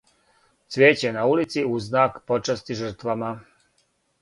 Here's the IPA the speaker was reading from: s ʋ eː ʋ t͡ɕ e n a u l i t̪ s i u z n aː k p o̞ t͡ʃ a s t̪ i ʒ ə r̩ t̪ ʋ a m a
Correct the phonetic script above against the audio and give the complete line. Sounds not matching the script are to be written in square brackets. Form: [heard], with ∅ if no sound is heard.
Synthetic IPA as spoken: s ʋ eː [∅] t͡ɕ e n a u l i t̪ s i u z n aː k p o̞ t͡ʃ a s t̪ i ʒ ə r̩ t̪ ʋ a m a